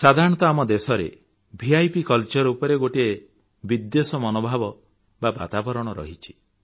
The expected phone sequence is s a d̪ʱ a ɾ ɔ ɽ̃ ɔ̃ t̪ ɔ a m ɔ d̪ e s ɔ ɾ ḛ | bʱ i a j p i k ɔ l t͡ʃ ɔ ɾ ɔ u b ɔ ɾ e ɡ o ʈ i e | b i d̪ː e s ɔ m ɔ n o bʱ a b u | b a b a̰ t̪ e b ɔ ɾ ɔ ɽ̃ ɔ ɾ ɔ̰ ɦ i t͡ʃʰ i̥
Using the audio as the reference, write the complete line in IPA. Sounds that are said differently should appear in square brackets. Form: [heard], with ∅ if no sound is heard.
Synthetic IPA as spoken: s a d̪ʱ a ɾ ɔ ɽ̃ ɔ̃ t̪ ɔ a m ɔ d̪ e s ɔ ɾ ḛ | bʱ i a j p i k ɔ l t͡ʃ ɔ ɾ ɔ u [p] ɔ ɾ e ɡ o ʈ i e | b i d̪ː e s ɔ m ɔ n o bʱ a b [ɔ] | b a b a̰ t̪ [a] b ɔ ɾ ɔ ɽ̃ ɔ ɾ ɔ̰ ɦ i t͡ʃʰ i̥